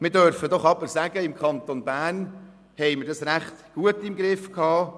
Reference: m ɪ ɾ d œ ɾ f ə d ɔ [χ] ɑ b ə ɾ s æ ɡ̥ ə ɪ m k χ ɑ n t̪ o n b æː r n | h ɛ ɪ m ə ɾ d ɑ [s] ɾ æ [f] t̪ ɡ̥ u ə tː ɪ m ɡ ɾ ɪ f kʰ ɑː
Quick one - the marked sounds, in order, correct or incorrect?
correct, correct, incorrect: χ

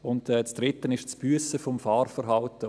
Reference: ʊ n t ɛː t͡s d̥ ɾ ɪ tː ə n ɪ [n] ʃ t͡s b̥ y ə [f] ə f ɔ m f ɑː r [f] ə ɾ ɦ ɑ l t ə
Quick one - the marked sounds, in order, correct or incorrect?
incorrect: none, incorrect: s, correct

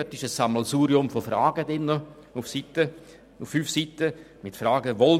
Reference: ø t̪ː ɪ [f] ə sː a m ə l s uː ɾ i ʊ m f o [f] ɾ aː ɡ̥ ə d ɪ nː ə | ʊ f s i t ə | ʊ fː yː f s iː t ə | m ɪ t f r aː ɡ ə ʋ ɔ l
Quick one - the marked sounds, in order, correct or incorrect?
incorrect: ʃ, correct

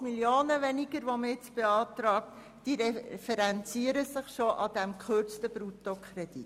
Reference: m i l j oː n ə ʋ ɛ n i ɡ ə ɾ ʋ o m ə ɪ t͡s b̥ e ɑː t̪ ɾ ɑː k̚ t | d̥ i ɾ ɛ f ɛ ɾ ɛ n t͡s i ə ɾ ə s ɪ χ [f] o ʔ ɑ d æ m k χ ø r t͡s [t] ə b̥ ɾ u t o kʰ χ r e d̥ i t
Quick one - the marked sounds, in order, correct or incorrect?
incorrect: ʃ, correct

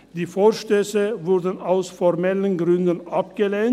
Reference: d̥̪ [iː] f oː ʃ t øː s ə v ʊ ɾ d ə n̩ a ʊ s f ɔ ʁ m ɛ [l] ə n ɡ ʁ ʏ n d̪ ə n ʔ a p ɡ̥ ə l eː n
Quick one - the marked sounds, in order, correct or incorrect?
correct, correct

